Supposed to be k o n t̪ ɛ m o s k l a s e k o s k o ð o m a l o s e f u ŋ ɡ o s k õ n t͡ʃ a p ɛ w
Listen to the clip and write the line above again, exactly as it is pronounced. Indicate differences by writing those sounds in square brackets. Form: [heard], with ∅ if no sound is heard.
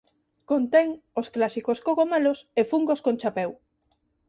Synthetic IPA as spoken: k o n t̪ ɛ [ŋ] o s k l a s [i] k o s k o [ɣ] o m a l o s e f u ŋ ɡ o s k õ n t͡ʃ a p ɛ w

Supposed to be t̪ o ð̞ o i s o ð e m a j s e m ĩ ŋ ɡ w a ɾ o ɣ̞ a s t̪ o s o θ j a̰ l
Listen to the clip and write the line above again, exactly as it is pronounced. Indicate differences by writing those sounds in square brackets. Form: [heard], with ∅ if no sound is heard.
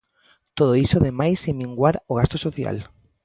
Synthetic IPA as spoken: t̪ o ð̞ o i s o ð e m a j s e m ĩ ŋ ɡ w a ɾ o ɣ̞ a s t̪ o s o θ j a̰ l

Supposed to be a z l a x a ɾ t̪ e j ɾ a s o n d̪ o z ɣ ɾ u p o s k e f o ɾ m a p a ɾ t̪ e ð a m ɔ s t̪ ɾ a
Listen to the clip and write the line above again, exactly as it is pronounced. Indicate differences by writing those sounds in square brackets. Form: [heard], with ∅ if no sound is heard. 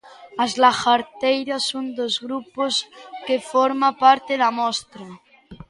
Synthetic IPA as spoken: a z l a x a ɾ t̪ e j ɾ a s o n d̪ o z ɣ ɾ u p o s k e f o ɾ m a p a ɾ t̪ e ð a m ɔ s t̪ ɾ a

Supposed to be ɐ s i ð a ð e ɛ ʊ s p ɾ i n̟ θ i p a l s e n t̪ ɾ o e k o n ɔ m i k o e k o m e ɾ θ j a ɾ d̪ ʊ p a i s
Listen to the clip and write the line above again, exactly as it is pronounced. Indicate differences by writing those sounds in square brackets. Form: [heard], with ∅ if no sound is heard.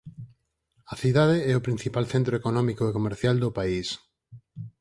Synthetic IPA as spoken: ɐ [θ] i ð a ð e ɛ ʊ [∅] p ɾ i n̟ θ i p a l [θ] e n t̪ ɾ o e k o n ɔ m i k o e k o m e ɾ θ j a [l] d̪ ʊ p a i s

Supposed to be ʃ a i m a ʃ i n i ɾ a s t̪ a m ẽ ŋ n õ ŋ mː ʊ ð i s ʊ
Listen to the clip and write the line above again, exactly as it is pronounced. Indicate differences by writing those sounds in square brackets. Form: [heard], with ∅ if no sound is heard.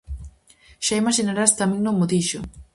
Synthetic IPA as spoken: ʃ a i m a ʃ i n [a] ɾ a s t̪ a m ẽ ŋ n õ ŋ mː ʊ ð i [ʃ] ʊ

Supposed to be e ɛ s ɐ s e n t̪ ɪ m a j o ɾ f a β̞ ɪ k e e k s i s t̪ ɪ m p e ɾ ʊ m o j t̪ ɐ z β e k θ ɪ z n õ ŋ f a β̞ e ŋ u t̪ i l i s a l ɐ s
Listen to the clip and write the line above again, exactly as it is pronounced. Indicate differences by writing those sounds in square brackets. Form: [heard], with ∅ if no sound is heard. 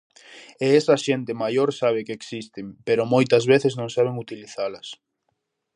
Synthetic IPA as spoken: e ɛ s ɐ [ʃ] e n t̪ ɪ m a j o ɾ [s] a β̞ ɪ k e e k s i s t̪ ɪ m p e ɾ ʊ m o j t̪ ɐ z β e [∅] θ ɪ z n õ ŋ [s] a β̞ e ŋ u t̪ i l i [θ] a l ɐ s

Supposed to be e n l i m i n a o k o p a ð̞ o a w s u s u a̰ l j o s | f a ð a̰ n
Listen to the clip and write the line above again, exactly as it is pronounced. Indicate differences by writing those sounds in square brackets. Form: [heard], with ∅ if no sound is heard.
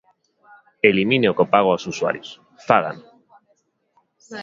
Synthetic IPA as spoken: e [∅] l i m i n [e] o k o p a [ɣ̞] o a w s u s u a̰ [ɾ] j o s | f a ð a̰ n

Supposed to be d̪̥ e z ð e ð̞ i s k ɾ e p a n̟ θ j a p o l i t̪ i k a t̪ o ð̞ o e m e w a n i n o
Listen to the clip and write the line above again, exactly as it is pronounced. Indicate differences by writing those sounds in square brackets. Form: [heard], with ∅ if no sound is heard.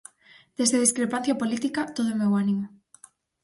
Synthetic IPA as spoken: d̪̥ e z ð e ð̞ i s k ɾ e p a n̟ θ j a p o l i t̪ i k a t̪ o ð̞ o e m e w a n i [m] o

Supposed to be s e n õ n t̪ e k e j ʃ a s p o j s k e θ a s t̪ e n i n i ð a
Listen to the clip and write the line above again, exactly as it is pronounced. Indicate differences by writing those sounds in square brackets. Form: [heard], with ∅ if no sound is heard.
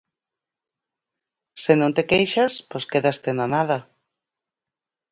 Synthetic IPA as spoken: s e n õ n t̪ e k e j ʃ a s p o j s k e [ð] a s t̪ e n [a] n [a] ð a

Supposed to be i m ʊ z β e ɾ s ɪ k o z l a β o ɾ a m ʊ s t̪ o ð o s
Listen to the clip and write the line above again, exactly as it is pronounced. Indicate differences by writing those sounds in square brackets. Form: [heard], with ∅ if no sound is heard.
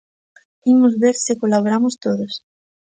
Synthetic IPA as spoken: i m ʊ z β e ɾ s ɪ k o [∅] l a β o ɾ a m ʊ s t̪ o ð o s

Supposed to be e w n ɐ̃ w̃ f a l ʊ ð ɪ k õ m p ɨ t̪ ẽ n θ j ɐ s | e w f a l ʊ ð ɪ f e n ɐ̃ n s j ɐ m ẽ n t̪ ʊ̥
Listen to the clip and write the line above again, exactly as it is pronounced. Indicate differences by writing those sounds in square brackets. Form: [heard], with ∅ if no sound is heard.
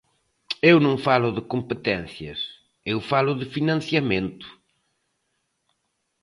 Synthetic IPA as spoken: e w n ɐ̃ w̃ f a l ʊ ð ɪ k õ m p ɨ t̪ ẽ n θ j ɐ s | e w f a l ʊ ð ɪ f [i] n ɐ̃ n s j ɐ m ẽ n t̪ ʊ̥

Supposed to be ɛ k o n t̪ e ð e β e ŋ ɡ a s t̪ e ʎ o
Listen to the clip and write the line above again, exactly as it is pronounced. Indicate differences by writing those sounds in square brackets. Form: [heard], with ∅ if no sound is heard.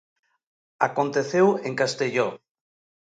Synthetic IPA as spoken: [a] k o n t̪ e [θ] e [w] e ŋ [k] a s t̪ e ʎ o

